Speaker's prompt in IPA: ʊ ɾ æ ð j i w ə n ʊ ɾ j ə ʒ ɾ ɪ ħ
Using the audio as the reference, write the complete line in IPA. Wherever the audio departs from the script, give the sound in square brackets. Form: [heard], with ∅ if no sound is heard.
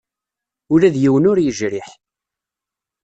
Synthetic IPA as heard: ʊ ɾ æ ð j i w ə n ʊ ɾ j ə ʒ ɾ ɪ ħ